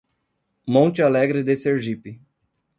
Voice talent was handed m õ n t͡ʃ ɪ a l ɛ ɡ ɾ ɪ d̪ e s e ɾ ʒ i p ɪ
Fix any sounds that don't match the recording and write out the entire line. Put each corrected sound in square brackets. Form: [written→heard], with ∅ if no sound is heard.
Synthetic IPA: m õ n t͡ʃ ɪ a l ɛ ɡ ɾ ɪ d̪ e s e ɾ ʒ i p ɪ

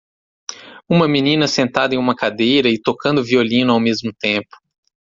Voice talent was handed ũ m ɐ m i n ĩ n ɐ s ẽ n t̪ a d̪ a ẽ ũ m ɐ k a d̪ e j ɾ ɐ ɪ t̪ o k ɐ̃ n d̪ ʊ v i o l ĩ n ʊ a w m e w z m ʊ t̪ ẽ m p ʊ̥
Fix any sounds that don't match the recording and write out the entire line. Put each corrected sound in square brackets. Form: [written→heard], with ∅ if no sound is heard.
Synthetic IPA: ũ m ɐ m i n ĩ n ɐ s ẽ n t̪ a d̪ [a→ɐ] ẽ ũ m ɐ k a d̪ e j ɾ ɐ ɪ t̪ o k ɐ̃ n d̪ ʊ v i o l ĩ n ʊ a w m e [w→∅] z m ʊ t̪ ẽ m p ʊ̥

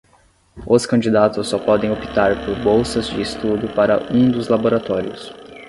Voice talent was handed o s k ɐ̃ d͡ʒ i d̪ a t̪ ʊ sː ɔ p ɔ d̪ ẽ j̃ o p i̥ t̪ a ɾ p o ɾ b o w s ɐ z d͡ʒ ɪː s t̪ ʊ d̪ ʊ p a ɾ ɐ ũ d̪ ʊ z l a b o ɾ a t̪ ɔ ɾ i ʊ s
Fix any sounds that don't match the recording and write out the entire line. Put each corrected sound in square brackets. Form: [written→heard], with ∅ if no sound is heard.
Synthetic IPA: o s k ɐ̃ d͡ʒ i d̪ a t̪ ʊ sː ɔ p ɔ d̪ ẽ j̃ o p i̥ t̪ a ɾ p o ɾ b o w s ɐ z d͡ʒ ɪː s t̪ [ʊ→u] d̪ ʊ p a ɾ ɐ ũ d̪ ʊ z l a b o ɾ a t̪ ɔ ɾ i ʊ s

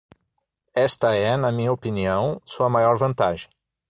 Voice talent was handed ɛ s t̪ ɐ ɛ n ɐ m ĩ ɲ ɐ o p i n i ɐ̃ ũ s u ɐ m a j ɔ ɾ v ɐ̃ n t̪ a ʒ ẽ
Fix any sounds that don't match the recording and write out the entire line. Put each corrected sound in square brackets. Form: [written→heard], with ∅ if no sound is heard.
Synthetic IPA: ɛ s t̪ ɐ ɛ n ɐ m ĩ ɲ ɐ o p i n i ɐ̃ [ũ→w̃] s u ɐ m a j ɔ ɾ v ɐ̃ n t̪ a ʒ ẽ

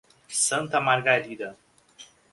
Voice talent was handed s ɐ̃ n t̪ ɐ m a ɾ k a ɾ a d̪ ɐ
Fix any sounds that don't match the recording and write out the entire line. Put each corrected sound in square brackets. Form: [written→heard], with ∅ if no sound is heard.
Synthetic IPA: s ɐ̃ n t̪ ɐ m a ɾ [k→ɡ] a ɾ [a→i] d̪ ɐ

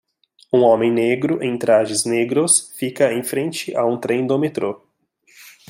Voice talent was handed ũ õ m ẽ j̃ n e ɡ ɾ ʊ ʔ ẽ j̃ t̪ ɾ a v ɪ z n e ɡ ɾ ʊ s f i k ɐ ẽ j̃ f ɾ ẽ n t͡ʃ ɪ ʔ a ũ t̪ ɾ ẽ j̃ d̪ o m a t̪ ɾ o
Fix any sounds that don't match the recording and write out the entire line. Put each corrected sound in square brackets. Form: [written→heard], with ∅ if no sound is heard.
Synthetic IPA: ũ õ m ẽ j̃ n e ɡ ɾ ʊ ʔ ẽ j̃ t̪ ɾ a [v→ʒ] ɪ z n e ɡ ɾ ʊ s f i k ɐ ẽ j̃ f ɾ ẽ n t͡ʃ ɪ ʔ a ũ t̪ ɾ ẽ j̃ d̪ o m [a→e] t̪ ɾ o

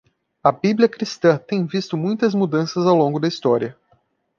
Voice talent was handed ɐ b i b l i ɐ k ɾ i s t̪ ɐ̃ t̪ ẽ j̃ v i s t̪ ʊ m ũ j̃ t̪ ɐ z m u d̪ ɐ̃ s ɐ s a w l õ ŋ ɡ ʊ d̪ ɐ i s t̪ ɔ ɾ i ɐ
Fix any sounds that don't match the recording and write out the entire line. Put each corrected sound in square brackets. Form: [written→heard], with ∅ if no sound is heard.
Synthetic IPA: ɐ b i b l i ɐ k ɾ i s t̪ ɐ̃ t̪ ẽ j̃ v i s t̪ ʊ m ũ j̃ t̪ ɐ z m u d̪ ɐ̃ s ɐ [s→z] a w l õ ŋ ɡ ʊ d̪ ɐ i s t̪ ɔ ɾ i ɐ

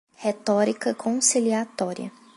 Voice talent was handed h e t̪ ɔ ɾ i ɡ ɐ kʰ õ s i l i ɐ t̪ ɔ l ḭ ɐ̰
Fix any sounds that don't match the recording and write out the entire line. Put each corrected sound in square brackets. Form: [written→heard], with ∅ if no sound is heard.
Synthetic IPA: h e t̪ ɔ ɾ i [ɡ→k] ɐ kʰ õ s i l i [ɐ→a] t̪ ɔ [l→ɾ] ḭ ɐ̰

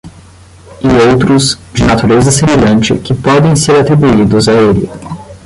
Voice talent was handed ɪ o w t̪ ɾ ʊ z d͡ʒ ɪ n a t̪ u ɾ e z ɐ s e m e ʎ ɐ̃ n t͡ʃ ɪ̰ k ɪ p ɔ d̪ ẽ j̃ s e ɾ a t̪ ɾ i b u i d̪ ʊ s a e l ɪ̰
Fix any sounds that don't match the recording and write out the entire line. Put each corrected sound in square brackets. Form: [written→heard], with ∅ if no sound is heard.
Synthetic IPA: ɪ o w t̪ ɾ ʊ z d͡ʒ ɪ n a t̪ u ɾ e z ɐ s e m e ʎ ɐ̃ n t͡ʃ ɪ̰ k ɪ p ɔ d̪ ẽ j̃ s e ɾ a t̪ ɾ i b u i d̪ ʊ [s→z] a e l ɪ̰

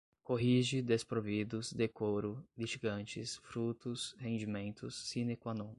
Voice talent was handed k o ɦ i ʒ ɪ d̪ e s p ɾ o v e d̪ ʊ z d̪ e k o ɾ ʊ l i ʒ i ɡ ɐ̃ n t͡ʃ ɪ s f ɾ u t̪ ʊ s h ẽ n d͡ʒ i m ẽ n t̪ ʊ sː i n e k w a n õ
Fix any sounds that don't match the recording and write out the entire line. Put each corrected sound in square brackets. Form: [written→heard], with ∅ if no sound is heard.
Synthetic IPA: k o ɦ i ʒ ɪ d̪ e s p ɾ o v [e→i] d̪ ʊ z d̪ e k o ɾ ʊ l i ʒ i ɡ ɐ̃ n t͡ʃ ɪ s f ɾ u t̪ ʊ s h ẽ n d͡ʒ i m ẽ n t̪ ʊ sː i n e k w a n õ

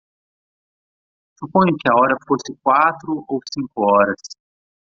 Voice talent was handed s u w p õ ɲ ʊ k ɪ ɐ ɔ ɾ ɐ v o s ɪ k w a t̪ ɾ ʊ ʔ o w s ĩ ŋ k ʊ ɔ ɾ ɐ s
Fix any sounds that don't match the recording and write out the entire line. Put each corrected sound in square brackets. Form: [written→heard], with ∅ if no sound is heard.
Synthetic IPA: s u [w→∅] p õ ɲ ʊ k ɪ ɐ ɔ ɾ ɐ [v→f] o s ɪ k w a t̪ ɾ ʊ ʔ o w s ĩ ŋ k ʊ ɔ ɾ ɐ s

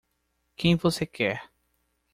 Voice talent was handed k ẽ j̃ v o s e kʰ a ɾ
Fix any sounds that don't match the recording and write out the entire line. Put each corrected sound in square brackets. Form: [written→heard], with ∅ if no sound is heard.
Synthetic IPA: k ẽ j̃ v o s e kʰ [a→ɛ] ɾ

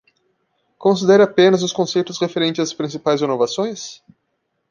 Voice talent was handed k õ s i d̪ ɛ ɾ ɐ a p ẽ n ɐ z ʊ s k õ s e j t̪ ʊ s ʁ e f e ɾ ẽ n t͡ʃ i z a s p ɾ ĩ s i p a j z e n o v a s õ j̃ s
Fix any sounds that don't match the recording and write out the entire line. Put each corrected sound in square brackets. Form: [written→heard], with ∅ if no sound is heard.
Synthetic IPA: k õ s i d̪ ɛ ɾ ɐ a p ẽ n ɐ z ʊ s k õ s e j t̪ ʊ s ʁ e f e ɾ ẽ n t͡ʃ [i→ɪ] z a s p ɾ ĩ s i p a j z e n o v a s õ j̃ s

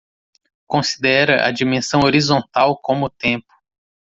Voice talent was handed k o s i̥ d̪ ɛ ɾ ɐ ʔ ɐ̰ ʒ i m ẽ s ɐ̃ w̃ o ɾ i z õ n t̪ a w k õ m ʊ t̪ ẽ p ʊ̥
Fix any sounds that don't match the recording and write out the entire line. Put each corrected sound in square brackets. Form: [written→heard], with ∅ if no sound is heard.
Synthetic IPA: k [o→õ] s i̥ d̪ ɛ ɾ ɐ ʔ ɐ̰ [ʒ→d͡ʒ] i m ẽ s ɐ̃ w̃ o ɾ i z õ n t̪ a w k õ m ʊ t̪ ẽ p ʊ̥

